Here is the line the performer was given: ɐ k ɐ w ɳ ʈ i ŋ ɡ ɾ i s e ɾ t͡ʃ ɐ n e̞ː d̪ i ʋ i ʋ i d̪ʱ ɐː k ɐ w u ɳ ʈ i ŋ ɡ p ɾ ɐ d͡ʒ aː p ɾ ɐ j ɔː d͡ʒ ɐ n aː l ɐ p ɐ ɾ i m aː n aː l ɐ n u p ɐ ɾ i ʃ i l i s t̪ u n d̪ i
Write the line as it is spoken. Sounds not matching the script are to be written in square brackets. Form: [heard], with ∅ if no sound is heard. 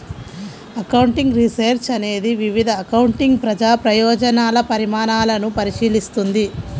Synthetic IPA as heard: ɐ k ɐ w ɳ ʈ i ŋ ɡ ɾ i s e ɾ t͡ʃ ɐ n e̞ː d̪ i ʋ i ʋ i d̪ʱ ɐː k ɐ w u ɳ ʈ i ŋ ɡ p ɾ ɐ d͡ʒ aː p ɾ ɐ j ɔː d͡ʒ ɐ n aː l ɐ p ɐ ɾ i m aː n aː l ɐ n u p ɐ ɾ i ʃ [iː] l i s t̪ u n d̪ i